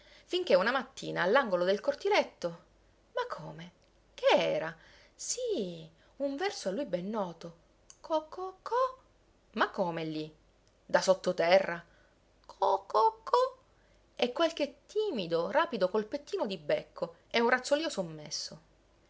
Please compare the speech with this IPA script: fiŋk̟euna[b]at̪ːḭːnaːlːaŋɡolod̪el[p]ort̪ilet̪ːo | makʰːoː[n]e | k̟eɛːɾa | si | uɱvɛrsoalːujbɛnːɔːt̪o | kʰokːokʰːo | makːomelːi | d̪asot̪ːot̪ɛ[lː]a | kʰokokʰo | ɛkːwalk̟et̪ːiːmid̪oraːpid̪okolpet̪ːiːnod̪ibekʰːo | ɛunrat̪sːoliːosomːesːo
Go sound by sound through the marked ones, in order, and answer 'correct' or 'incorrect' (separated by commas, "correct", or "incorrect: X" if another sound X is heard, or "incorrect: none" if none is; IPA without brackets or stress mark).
incorrect: m, incorrect: k, incorrect: m, incorrect: rː